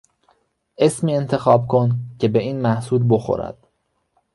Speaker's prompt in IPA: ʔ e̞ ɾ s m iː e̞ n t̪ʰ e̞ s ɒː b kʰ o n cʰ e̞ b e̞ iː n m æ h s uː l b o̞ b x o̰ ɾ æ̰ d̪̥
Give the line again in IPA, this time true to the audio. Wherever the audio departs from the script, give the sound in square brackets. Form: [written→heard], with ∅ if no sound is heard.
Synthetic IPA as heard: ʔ e̞ [ɾ→∅] s m iː e̞ n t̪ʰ e̞ [s→x] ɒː b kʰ o n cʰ e̞ b e̞ iː n m æ h s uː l b o̞ [b→∅] x o̰ ɾ æ̰ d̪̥